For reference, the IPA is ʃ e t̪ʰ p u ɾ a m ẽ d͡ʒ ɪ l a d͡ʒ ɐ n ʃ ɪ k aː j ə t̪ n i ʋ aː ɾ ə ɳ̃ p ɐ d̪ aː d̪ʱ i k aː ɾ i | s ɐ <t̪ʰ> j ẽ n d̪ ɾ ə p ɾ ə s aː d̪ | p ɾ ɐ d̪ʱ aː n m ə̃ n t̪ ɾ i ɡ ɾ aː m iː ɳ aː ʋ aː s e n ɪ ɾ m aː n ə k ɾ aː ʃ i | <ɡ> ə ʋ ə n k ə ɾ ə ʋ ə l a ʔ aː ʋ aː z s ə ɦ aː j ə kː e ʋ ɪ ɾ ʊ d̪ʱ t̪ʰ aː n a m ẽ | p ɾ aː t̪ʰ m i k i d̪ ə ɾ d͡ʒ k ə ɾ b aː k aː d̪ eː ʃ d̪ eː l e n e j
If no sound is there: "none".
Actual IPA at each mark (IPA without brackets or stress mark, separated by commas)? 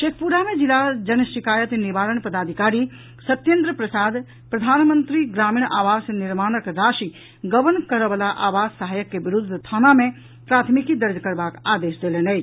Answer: t̪, ɡ